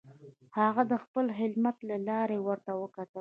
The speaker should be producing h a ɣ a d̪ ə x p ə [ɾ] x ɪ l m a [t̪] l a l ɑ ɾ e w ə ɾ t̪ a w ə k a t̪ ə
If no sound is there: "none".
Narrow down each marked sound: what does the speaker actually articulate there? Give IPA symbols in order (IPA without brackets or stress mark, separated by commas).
l, t̪